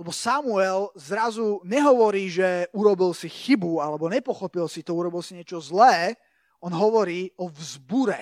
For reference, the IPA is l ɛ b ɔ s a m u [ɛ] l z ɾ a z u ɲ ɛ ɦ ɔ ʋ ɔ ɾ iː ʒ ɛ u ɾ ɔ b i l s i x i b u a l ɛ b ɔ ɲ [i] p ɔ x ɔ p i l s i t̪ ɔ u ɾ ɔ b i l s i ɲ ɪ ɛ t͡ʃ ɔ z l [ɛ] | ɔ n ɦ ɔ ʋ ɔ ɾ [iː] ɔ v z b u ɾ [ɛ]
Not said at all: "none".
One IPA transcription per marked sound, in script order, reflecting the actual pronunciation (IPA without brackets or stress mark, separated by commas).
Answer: ɛ, ɛ, ɛː, iː, ɛ